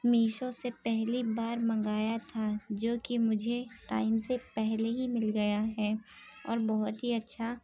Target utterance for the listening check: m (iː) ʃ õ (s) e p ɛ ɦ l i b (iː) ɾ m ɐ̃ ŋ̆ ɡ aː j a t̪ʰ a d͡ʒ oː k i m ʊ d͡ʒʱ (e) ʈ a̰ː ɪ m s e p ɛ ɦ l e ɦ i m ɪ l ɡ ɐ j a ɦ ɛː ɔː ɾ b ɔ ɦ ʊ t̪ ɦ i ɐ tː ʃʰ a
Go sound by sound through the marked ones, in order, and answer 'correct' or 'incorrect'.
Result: correct, correct, incorrect: aː, correct

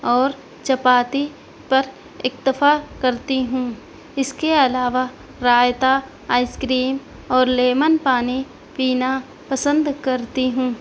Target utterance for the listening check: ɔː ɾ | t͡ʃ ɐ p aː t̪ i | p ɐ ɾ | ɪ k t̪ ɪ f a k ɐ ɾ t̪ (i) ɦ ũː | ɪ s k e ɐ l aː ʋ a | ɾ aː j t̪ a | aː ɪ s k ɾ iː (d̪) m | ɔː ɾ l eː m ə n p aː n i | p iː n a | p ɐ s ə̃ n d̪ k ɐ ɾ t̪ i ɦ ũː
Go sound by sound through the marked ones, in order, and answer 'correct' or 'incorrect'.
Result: correct, incorrect: none

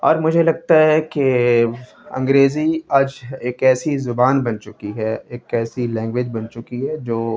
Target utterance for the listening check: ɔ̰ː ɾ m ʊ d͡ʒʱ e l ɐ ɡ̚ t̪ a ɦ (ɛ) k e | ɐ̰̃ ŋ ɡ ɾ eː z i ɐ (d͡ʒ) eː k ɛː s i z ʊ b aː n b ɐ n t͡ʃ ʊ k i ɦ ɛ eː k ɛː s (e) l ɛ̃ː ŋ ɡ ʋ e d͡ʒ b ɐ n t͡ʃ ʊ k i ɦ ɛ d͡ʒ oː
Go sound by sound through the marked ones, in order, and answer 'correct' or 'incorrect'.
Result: correct, correct, incorrect: i

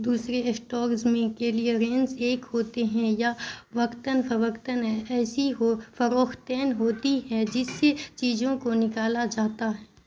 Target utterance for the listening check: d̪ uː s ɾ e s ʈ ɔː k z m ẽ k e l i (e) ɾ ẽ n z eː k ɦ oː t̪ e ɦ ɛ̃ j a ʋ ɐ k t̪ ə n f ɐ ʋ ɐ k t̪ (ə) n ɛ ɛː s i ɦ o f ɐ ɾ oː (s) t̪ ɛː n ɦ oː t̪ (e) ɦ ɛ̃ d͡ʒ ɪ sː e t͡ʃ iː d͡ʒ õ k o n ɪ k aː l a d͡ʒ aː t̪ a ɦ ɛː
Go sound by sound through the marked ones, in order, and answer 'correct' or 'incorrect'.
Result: correct, correct, incorrect: x, incorrect: i

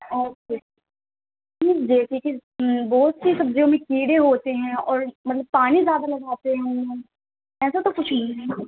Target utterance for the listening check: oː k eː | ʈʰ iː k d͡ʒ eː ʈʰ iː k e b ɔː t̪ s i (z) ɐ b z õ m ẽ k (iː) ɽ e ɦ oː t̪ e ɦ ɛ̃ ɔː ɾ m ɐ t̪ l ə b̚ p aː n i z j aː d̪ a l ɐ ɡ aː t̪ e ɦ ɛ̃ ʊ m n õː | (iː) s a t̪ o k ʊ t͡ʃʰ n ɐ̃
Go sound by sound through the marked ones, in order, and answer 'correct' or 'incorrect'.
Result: incorrect: s, correct, incorrect: ɛː

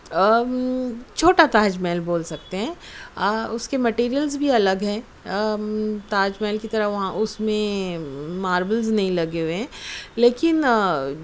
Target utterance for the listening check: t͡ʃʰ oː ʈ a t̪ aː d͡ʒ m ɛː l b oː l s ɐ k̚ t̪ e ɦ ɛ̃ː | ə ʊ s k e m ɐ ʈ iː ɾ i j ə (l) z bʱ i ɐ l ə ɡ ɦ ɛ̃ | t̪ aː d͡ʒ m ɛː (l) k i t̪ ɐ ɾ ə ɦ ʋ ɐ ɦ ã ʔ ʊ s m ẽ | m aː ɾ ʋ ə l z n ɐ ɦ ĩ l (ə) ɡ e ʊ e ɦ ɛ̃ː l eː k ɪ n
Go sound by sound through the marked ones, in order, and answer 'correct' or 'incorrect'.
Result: correct, correct, incorrect: ɐ

